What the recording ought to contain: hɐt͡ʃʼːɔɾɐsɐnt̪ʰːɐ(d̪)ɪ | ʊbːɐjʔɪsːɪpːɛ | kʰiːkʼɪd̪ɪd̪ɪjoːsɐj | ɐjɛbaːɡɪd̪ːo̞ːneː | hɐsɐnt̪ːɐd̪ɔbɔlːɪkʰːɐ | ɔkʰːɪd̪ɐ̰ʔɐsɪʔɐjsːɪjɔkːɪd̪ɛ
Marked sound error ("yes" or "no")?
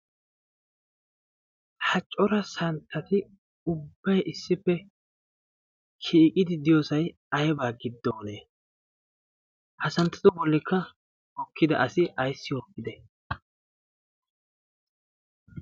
yes